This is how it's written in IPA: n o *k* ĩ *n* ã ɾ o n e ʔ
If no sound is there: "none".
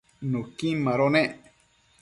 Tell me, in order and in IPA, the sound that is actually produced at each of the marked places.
k, m

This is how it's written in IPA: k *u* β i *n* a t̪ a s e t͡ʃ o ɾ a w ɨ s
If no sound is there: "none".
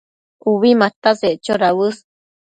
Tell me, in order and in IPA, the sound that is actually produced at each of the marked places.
u, m

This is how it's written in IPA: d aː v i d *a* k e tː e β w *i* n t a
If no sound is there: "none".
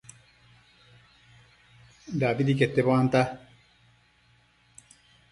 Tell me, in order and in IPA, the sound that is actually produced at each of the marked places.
i, a

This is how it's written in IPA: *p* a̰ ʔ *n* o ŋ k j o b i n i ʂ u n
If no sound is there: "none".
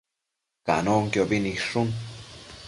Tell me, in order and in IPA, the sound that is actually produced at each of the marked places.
k, n

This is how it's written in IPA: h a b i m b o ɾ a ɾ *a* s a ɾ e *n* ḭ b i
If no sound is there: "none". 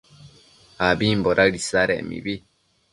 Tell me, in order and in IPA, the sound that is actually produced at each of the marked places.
i, m

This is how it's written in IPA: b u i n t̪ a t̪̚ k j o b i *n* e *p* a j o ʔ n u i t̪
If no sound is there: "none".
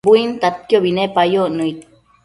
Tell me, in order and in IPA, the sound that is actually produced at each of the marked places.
n, p

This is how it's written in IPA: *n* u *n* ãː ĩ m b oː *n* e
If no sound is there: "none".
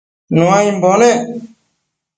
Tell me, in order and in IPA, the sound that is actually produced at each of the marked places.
n, none, n

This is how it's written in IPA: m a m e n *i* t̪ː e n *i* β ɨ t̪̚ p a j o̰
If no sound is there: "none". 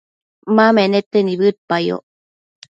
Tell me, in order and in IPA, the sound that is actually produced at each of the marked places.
e, i

